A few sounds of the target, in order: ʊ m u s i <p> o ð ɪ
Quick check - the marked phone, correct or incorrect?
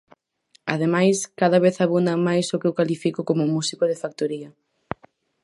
incorrect